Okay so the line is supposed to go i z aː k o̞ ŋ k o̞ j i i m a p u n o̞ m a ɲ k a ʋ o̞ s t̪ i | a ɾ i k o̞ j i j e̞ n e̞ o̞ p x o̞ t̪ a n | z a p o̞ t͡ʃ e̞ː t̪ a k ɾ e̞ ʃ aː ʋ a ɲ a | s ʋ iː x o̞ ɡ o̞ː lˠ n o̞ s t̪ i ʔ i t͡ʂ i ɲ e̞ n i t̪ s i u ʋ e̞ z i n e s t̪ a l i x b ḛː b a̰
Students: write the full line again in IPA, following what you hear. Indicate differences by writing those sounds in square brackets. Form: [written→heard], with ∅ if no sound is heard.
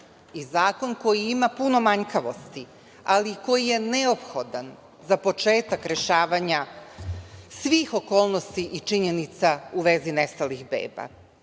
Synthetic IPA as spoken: i z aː k o̞ [ŋ→n] k o̞ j i i m a p u n o̞ m a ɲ k a ʋ o̞ s t̪ i | a [ɾ→l] i k o̞ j i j e̞ n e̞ o̞ p x o̞ [t̪→d̪] a n | z a p o̞ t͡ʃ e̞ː t̪ a k ɾ e̞ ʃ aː ʋ a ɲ a | s ʋ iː x o̞ [ɡ→k] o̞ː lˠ n o̞ s t̪ i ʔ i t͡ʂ i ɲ e̞ n i t̪ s [i→a] u ʋ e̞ z i n e s t̪ a l i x b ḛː b a̰